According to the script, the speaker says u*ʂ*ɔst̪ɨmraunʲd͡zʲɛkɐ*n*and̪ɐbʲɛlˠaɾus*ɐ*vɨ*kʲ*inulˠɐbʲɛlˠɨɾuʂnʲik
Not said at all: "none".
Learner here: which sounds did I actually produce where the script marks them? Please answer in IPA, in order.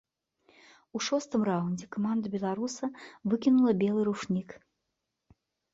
ʂ, m, ɐ, kʲ

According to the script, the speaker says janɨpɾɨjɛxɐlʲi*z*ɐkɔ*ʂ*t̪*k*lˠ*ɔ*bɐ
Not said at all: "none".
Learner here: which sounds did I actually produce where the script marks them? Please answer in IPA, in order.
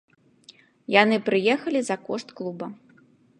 z, ʂ, k, u

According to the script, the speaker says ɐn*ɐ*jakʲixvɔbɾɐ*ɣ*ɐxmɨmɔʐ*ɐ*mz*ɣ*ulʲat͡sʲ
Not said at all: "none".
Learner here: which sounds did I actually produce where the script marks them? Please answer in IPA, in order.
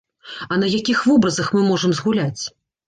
ɐ, z, ɐ, ɣ

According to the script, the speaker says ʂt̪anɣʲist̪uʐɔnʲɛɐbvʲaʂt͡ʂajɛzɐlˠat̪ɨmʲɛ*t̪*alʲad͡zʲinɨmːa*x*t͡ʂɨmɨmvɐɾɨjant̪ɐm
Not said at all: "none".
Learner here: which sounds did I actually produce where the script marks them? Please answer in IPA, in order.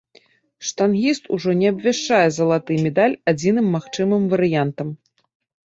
d̪, x

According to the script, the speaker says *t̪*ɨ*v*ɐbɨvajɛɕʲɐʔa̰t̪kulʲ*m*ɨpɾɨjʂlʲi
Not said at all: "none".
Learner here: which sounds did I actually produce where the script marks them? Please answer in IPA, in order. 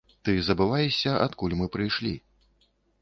t̪, z, m

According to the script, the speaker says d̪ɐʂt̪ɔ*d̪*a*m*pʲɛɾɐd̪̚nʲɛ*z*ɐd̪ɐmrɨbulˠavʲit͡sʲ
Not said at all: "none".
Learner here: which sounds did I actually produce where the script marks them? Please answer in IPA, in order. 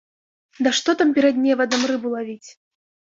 t̪, m, v

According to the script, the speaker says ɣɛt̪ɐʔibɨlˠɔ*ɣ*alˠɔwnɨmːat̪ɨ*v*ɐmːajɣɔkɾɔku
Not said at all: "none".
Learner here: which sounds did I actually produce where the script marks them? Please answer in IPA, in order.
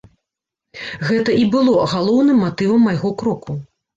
ɣ, v

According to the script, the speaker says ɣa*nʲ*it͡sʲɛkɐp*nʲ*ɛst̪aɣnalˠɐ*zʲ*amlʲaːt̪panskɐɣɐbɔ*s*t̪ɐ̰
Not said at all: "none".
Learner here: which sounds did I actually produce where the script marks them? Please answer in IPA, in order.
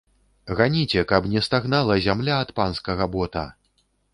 nʲ, nʲ, zʲ, none

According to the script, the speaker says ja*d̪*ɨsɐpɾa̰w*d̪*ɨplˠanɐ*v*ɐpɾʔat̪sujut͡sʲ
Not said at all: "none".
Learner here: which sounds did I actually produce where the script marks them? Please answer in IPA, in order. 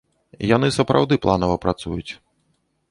n̪, d̪, v

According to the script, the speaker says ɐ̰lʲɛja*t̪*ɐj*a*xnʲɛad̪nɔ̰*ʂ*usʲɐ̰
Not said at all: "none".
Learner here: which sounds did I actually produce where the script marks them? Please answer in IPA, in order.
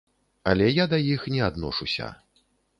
d̪, i, ʂ

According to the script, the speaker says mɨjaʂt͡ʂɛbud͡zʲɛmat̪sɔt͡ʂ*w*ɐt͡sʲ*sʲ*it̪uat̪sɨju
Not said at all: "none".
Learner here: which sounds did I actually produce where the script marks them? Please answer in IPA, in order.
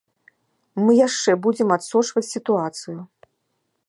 v, sʲ

